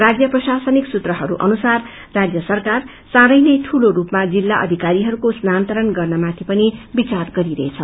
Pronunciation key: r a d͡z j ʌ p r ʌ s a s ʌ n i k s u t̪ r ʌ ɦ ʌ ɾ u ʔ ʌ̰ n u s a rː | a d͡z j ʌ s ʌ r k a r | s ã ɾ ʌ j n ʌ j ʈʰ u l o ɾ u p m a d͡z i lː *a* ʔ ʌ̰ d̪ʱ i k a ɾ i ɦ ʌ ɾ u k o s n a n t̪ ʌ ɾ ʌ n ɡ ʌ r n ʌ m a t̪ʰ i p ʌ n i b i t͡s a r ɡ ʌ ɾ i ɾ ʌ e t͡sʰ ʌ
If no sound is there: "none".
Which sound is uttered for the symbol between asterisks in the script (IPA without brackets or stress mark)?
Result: a